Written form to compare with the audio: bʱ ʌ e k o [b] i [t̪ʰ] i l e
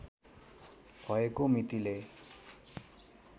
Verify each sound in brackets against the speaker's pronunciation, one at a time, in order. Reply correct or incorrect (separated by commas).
incorrect, incorrect